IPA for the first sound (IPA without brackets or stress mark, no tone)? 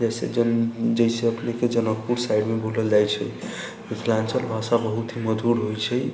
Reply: d͡ʒ